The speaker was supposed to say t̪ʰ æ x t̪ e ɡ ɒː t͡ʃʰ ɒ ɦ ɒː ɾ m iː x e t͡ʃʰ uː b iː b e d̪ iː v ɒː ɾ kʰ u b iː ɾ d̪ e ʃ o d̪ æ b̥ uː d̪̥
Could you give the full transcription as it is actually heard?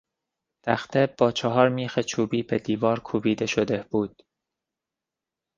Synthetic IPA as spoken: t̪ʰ æ x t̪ e b ɒː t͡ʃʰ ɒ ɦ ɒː ɾ m iː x e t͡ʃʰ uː b iː b e d̪ iː v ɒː ɾ kʰ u b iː d̪ e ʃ o d̪ e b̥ uː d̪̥

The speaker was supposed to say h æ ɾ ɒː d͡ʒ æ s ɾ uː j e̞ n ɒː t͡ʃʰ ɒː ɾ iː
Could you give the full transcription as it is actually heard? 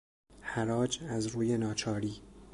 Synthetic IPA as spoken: h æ ɾ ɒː d͡ʒ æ z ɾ uː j e̞ n ɒː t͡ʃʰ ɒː ɾ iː

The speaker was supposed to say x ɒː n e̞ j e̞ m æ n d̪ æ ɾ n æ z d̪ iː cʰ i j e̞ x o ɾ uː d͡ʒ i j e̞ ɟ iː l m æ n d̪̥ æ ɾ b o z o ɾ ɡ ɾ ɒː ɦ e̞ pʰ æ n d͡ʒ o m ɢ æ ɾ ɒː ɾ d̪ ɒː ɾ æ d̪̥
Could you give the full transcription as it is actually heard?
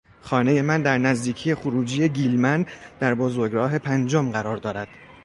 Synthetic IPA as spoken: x ɒː n e̞ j e̞ m æ n d̪ æ ɾ n æ z d̪ iː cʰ i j e̞ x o ɾ uː d͡ʒ i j e̞ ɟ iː l m æ n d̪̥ æ ɾ b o z o ɾ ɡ ɾ ɒː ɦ e̞ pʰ æ n d͡ʒ o m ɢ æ ɾ ɒː ɾ d̪ ɒː ɾ æ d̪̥

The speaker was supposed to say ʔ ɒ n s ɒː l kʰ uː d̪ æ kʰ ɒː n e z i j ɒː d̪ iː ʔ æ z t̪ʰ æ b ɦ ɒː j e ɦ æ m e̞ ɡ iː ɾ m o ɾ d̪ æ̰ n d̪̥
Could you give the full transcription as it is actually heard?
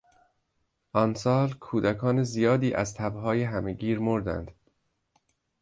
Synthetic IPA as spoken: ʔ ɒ n s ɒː l kʰ uː d̪ æ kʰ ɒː n e z i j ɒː d̪ iː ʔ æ z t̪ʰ æ b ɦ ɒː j e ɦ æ m e̞ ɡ iː ɾ m o ɾ d̪ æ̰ n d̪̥

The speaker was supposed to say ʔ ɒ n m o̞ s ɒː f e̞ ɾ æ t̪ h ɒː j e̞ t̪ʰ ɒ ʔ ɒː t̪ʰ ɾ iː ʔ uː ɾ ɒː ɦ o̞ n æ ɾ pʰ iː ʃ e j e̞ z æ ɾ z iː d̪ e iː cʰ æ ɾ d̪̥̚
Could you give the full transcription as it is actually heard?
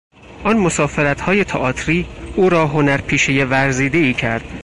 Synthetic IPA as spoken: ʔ ɒ n m o̞ s ɒː f e̞ ɾ æ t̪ h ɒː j e̞ t̪ʰ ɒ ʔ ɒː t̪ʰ ɾ iː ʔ uː ɾ ɒː ɦ o̞ n æ ɾ pʰ iː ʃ e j e̞ v æ ɾ z iː d̪ e iː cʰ æ ɾ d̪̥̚

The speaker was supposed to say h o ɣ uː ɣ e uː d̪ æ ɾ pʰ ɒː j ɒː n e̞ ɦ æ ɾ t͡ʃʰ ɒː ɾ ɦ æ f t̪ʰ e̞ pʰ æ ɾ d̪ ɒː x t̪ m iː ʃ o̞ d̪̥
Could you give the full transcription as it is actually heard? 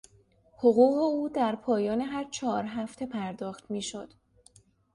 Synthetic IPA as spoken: h o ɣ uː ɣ e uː d̪ æ ɾ pʰ ɒː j ɒː n e̞ ɦ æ ɾ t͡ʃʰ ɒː ɾ ɦ æ f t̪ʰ e̞ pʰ æ ɾ d̪ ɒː x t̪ m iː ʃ o̞ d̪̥

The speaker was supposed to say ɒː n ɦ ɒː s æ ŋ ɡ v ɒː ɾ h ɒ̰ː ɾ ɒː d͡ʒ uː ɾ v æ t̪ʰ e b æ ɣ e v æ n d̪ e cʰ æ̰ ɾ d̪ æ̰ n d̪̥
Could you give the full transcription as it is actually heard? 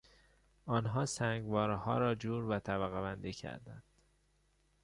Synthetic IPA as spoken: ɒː n ɦ ɒː s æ ŋ ɡ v ɒː ɾ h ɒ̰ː ɾ ɒː d͡ʒ uː ɾ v æ t̪ʰ æ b æ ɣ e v æ n d̪ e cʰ æ̰ ɾ d̪ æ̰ n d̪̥

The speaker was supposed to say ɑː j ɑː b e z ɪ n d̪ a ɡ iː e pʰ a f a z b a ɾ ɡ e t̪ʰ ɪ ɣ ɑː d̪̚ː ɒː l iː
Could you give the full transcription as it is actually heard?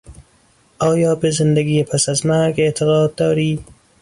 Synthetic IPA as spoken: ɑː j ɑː b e z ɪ n d̪ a ɡ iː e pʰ a s a z m a ɾ ɡ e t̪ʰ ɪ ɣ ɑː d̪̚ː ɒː ɾ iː

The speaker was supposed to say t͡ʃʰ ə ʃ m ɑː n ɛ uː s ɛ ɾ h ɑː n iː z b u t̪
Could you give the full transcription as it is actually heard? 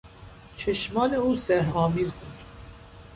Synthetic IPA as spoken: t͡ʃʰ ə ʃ m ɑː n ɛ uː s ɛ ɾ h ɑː m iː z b u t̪

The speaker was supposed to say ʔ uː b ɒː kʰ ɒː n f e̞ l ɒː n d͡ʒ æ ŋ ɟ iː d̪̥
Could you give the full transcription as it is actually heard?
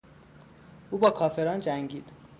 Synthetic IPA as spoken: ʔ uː b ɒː kʰ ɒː f e̞ ɾ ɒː n d͡ʒ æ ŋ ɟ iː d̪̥

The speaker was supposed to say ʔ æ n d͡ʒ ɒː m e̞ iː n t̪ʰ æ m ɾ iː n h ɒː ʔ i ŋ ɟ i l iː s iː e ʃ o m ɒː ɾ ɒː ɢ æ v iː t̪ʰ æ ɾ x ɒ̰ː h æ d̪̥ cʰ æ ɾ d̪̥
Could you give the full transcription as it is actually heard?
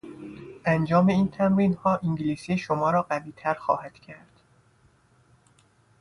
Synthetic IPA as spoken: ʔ æ n d͡ʒ ɒː m e̞ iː n t̪ʰ æ m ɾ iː n h ɒː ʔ i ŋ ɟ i l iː s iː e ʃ o m ɒː ɾ ɒː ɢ æ v iː t̪ʰ æ ɾ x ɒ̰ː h æ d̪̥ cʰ æ ɾ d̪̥

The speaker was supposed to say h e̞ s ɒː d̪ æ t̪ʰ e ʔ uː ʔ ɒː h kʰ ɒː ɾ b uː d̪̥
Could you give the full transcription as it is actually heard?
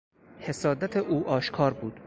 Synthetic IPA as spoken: h e̞ s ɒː d̪ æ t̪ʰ e ʔ uː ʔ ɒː ʃ kʰ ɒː ɾ b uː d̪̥

